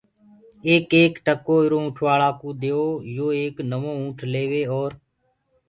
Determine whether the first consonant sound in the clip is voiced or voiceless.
voiceless